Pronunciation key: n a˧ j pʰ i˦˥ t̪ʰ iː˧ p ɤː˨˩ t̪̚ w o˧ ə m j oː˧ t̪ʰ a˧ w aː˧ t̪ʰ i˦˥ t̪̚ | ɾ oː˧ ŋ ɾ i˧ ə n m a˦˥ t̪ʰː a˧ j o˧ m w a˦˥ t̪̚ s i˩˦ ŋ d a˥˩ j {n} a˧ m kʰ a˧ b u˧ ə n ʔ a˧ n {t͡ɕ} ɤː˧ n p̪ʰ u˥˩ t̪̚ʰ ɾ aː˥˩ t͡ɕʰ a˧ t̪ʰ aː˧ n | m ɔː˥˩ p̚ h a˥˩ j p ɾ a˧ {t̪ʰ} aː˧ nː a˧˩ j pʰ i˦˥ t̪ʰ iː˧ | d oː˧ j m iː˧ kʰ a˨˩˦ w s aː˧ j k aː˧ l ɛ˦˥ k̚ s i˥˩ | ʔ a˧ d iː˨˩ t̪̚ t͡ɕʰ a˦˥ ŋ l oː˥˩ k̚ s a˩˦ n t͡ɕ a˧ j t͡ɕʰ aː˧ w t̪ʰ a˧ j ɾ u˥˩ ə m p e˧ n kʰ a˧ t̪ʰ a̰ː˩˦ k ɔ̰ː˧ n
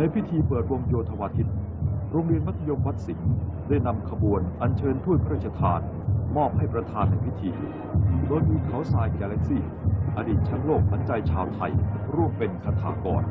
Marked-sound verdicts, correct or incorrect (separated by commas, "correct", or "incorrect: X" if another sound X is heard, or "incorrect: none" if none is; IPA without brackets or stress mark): correct, incorrect: t͡ɕʰ, correct